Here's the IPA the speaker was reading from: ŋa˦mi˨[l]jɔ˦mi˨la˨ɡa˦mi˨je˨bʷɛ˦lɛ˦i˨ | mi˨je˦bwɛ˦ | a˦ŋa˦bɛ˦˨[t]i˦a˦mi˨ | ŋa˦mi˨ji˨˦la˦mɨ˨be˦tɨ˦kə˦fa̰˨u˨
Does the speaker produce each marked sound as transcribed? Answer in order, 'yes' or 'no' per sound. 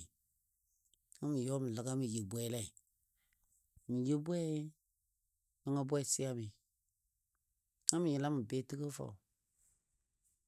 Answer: no, no

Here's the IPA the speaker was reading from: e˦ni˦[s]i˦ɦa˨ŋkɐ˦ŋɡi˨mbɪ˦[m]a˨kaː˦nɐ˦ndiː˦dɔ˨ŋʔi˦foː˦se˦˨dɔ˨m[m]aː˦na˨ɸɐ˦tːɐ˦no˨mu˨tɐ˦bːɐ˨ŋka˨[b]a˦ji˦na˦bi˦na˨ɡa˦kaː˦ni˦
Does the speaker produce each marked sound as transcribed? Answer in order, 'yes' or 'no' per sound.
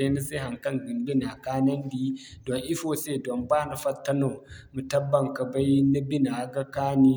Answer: yes, no, no, yes

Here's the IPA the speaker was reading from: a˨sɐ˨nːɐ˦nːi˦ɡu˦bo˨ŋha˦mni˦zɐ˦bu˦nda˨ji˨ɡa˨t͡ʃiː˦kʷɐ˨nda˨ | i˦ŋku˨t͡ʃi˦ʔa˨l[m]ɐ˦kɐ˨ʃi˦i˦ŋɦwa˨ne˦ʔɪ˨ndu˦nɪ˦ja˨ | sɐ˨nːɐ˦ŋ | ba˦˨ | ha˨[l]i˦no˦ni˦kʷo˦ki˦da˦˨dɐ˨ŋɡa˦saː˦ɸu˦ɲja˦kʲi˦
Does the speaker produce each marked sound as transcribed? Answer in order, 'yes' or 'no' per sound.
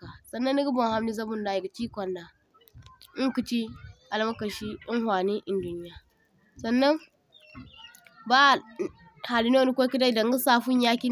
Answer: yes, yes

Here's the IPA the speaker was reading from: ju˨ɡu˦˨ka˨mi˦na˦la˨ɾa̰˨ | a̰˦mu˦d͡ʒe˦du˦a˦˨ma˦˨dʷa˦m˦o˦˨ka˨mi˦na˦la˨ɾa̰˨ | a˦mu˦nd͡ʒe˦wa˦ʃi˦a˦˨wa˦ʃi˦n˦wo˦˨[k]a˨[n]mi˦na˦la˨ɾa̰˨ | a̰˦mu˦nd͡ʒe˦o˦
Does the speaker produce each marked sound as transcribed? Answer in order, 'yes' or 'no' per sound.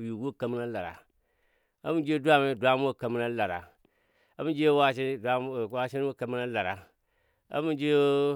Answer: yes, no

